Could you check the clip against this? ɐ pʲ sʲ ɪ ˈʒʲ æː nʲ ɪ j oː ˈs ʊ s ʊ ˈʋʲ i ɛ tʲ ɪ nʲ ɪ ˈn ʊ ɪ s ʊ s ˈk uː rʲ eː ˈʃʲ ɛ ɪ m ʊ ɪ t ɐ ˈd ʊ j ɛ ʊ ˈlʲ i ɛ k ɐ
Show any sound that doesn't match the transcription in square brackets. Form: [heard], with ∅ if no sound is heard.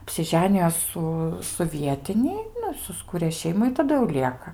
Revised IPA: ɐ pʲ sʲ ɪ ˈʒʲ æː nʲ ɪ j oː ˈs ʊ s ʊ ˈʋʲ i ɛ tʲ ɪ nʲ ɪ ˈn ʊ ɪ s ʊ s ˈk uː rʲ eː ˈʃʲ ɛ ɪ m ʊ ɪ t ɐ ˈd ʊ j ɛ ʊ ˈlʲ i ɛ k ɐ